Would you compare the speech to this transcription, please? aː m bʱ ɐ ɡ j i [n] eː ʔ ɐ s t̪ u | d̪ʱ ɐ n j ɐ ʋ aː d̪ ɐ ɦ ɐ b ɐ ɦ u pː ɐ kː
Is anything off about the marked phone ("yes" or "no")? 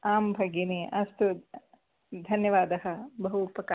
no